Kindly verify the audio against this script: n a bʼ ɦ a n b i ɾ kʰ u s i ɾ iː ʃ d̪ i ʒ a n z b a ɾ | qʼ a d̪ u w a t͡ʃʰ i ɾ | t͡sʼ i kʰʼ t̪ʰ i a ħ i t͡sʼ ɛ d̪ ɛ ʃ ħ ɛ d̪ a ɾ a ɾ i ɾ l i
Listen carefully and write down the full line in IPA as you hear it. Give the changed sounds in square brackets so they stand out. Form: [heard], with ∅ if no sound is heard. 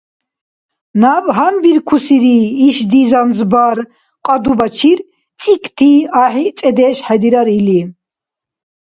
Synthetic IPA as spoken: n a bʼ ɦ a n b i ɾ kʰ u s i ɾ iː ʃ d̪ i [z] a n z b a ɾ | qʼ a d̪ u [b] a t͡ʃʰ i ɾ | t͡sʼ i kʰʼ t̪ʰ i a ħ i t͡sʼ ɛ d̪ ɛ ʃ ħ ɛ d̪ [i] ɾ a ɾ i [∅] l i